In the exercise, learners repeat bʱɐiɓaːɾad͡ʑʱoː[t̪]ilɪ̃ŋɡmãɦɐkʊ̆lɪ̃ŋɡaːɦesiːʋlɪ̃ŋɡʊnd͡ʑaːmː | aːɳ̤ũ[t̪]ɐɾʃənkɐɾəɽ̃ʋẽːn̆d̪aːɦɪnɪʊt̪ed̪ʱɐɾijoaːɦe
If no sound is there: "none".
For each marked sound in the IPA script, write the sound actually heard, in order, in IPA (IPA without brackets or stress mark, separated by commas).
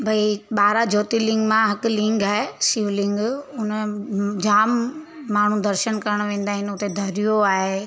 t̪, d̪